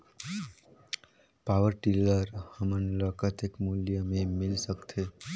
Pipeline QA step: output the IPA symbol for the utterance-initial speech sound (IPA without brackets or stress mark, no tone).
p